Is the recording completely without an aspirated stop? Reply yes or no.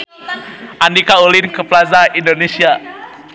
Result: yes